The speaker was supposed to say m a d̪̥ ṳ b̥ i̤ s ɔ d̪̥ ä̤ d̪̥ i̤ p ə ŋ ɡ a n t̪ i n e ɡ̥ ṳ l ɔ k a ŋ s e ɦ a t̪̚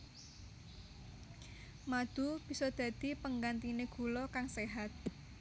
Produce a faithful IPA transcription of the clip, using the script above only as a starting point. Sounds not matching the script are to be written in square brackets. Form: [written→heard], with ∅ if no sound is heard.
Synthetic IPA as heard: m a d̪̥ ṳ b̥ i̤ s ɔ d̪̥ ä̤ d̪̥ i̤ p ə ŋ ɡ a n t̪ i n e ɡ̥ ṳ l ɔ k a ŋ s e ɦ a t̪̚